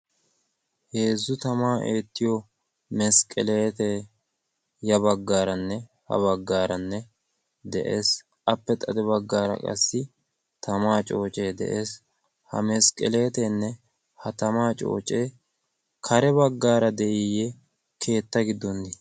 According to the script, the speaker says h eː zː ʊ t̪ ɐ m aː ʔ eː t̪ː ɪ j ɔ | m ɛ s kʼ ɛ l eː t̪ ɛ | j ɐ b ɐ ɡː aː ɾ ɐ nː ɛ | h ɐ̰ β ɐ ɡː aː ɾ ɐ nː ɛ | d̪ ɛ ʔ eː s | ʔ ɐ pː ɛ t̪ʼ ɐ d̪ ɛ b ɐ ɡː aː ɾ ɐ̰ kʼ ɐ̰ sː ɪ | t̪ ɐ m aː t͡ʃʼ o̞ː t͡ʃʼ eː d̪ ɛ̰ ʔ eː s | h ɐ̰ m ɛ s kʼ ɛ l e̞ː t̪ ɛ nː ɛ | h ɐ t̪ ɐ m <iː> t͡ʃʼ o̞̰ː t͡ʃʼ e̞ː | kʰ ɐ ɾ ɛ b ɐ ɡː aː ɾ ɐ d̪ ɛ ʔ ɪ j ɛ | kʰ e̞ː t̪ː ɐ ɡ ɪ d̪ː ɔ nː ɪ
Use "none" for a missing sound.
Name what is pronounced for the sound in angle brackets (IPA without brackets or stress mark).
aː